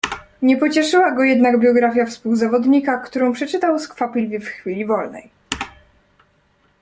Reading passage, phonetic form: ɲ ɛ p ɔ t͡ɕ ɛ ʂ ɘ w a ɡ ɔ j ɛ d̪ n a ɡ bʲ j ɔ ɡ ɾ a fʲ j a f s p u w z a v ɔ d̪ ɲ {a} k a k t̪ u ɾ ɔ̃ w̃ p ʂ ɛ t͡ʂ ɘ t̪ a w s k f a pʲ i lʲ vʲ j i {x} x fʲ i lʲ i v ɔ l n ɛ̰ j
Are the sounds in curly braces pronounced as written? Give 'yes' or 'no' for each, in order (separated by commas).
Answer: no, no